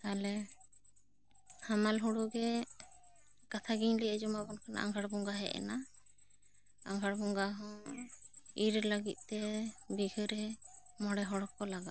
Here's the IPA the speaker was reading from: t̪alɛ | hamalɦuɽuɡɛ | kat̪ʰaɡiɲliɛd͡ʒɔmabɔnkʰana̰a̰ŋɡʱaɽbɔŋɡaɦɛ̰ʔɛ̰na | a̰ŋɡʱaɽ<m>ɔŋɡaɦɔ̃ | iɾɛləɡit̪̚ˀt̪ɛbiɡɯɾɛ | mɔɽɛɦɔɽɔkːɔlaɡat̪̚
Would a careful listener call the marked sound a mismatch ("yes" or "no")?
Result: yes